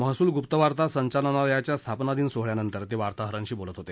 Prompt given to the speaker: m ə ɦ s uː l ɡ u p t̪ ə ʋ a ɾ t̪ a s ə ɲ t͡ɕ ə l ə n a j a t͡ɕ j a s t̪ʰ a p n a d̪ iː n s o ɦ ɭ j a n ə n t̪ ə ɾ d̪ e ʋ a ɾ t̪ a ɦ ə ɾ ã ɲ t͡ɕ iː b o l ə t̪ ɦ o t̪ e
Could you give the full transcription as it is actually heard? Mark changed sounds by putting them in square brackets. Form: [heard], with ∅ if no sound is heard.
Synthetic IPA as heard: m ə ɦ s uː l ɡ u p t̪ ə ʋ a ɾ t̪ a s ə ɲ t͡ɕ [a] l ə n a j a t͡ɕ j a s t̪ʰ a p n a d̪ iː n s o ɦ ɭ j a n ə n t̪ ə ɾ [t̪] e ʋ a ɾ t̪ a ɦ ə ɾ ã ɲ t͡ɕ iː b o l ə t̪ ɦ o t̪ e